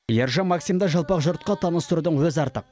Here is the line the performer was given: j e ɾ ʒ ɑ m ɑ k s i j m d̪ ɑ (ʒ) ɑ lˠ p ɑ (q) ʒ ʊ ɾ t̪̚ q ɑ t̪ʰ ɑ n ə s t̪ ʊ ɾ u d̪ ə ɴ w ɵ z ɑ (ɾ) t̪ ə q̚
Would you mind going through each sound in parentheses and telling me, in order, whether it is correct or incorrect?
correct, correct, correct

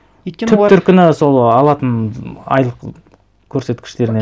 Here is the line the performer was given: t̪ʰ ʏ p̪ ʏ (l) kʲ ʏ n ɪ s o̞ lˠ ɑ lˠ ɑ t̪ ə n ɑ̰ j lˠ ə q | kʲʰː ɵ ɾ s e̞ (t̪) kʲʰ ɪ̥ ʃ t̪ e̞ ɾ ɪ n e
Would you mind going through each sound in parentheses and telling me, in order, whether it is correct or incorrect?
incorrect: ɾ, correct

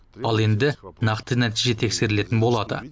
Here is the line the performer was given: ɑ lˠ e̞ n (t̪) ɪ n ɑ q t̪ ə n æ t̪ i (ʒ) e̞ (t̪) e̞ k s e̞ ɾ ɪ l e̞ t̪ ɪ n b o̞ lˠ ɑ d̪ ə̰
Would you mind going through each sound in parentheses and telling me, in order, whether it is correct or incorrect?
incorrect: d̪, correct, incorrect: t̪ʰ

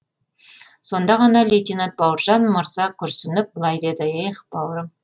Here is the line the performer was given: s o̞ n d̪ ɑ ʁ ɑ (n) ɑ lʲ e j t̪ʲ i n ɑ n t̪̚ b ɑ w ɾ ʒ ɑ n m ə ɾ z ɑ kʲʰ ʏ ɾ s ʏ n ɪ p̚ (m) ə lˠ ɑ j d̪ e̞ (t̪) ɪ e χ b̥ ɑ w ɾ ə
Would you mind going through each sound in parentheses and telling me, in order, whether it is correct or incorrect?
correct, incorrect: b, incorrect: d̪

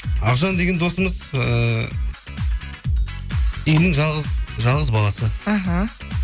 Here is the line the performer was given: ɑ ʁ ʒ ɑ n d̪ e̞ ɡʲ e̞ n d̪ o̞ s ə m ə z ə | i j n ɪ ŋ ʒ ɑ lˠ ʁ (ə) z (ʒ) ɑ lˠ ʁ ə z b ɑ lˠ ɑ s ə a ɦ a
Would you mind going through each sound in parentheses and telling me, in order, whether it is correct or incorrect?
correct, correct

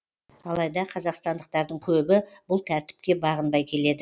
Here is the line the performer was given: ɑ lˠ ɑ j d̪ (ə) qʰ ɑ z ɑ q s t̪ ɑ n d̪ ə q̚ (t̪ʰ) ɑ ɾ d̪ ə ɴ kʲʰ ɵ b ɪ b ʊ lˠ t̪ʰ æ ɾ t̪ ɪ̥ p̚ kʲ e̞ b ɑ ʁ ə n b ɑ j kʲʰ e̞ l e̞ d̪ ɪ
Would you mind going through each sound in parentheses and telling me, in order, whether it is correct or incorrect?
incorrect: ɑ, incorrect: t̪

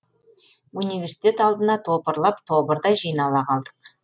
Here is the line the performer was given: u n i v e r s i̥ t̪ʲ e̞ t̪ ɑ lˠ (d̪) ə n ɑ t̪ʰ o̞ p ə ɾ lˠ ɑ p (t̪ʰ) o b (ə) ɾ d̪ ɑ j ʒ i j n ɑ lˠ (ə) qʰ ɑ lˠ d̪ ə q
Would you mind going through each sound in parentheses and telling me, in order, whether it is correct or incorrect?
correct, correct, correct, incorrect: ɑ

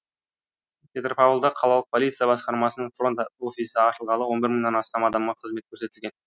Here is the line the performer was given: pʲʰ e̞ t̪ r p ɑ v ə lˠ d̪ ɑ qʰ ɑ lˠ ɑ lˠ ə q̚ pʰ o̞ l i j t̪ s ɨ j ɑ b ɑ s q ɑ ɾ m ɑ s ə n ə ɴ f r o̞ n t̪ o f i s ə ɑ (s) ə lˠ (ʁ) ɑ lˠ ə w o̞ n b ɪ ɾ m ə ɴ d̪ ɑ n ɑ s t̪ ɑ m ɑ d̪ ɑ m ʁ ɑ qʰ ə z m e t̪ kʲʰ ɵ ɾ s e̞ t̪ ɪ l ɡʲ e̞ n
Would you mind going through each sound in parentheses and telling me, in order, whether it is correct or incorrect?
incorrect: ʃ, correct

